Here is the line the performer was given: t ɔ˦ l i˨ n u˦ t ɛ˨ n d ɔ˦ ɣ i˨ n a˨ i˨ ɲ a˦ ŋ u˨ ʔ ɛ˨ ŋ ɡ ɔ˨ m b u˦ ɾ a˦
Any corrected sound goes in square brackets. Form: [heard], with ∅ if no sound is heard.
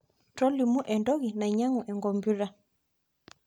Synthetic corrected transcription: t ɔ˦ l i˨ [m] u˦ [ʔ] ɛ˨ n d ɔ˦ ɣ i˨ n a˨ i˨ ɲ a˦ ŋ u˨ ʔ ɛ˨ ŋ ɡ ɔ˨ m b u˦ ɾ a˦